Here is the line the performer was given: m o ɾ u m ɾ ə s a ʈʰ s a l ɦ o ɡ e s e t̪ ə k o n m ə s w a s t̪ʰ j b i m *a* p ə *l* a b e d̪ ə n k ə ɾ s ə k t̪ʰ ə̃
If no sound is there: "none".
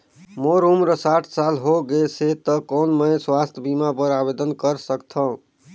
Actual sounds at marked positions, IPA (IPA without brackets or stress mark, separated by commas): a, ɾ